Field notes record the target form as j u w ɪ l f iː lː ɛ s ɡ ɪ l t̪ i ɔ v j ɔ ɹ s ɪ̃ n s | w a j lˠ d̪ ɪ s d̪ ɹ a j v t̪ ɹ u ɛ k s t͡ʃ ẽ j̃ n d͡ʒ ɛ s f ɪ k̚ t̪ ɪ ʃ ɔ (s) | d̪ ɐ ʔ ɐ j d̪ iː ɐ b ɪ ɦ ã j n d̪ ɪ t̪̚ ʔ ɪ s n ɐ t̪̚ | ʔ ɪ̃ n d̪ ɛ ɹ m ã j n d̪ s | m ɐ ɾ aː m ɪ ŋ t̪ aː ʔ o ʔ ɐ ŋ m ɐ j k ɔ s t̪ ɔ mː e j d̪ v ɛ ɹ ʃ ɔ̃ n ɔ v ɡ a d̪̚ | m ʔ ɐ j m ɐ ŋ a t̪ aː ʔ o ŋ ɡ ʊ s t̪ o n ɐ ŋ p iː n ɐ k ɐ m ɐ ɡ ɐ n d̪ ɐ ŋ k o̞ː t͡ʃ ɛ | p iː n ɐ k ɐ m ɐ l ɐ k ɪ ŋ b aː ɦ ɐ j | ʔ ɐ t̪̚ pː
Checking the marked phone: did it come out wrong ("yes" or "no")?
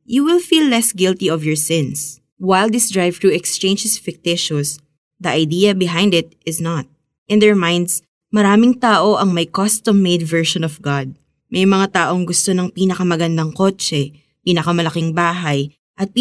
no